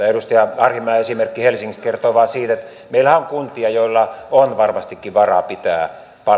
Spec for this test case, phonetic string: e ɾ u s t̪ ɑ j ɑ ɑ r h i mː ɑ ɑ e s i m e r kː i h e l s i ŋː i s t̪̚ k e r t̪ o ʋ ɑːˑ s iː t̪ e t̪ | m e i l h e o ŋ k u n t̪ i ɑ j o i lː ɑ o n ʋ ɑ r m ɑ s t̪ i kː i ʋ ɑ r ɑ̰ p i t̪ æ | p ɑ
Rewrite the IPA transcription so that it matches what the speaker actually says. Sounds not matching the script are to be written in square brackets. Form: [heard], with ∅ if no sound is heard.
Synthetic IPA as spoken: e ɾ u s t̪ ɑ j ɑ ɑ r h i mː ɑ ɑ e s i m e r kː i h e l s i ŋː i s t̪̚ k e r t̪ o ʋ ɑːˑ s iː t̪ e t̪ | m e i l h [æ] o ŋ k u n t̪ i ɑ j o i lː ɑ o n ʋ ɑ r m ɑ s t̪ i kː i ʋ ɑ r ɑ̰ p i t̪ [æː] | p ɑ

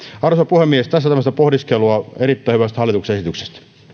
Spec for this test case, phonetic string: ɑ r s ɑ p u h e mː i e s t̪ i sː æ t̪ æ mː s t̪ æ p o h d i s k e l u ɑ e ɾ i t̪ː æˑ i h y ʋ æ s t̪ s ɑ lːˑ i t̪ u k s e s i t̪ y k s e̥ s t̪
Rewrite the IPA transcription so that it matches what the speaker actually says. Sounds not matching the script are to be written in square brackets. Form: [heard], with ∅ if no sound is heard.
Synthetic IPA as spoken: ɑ r s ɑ p u h e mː i e s t̪ [æ] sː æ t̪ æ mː s t̪ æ p o h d i s k e l u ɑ e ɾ i t̪ː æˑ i h y ʋ æ s t̪ [h] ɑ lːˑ i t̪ u k s e s i t̪ y k s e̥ s t̪

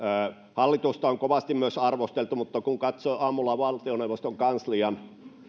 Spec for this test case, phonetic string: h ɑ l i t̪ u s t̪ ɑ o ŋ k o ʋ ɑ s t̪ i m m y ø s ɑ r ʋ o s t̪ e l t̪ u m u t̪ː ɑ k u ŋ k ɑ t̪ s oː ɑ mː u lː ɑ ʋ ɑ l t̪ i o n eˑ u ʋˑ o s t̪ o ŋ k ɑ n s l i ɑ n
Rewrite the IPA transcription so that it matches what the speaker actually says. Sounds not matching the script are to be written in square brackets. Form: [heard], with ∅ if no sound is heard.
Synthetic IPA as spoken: h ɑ [lː] i t̪ u s t̪ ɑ o ŋ k o ʋ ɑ s t̪ i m m y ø s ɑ r ʋ o s t̪ e l t̪ u m u t̪ː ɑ k u ŋ k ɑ t̪ s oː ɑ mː u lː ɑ ʋ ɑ l t̪ i o n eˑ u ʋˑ o s t̪ o ŋ k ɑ n s l i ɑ n

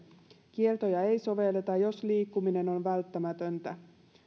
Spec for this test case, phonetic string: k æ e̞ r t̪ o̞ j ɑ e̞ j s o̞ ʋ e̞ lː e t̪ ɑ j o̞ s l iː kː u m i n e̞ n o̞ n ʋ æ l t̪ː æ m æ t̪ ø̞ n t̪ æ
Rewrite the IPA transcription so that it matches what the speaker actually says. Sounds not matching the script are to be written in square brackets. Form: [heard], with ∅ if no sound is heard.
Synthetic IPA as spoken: k [i] e̞ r t̪ o̞ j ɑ e̞ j s o̞ ʋ e̞ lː e t̪ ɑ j o̞ s l iː kː u m i n e̞ n o̞ n ʋ æ l t̪ː æ m æ t̪ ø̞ n t̪ æ

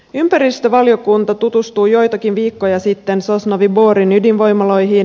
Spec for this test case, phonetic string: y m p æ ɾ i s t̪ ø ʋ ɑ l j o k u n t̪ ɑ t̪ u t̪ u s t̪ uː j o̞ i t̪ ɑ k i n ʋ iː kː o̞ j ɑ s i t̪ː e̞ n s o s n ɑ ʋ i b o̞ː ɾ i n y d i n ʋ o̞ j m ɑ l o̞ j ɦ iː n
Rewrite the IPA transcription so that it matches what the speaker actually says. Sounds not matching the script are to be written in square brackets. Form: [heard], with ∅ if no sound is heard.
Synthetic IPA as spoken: y m p æ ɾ i s t̪ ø ʋ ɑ l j o k u n t̪ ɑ t̪ u t̪ u s t̪ uː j o̞ [j] t̪ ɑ k i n ʋ iː kː o̞ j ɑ s i t̪ː e̞ n s o s n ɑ ʋ i b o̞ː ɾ i n y d i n ʋ o̞ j m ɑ l o̞ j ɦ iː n

